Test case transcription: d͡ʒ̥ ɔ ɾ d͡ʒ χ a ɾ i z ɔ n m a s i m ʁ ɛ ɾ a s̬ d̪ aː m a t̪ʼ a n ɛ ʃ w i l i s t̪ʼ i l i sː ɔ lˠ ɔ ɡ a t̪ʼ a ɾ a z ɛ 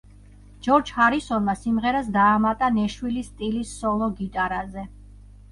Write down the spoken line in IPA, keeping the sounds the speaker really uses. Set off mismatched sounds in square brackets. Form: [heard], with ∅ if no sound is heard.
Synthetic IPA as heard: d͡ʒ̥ ɔ ɾ d͡ʒ [h] a ɾ i [s] ɔ n m a s i m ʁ ɛ ɾ a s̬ d̪ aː m a t̪ʼ a n ɛ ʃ w i l i s t̪ʼ i l i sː ɔ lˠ ɔ ɡ [i] t̪ʼ a ɾ a z ɛ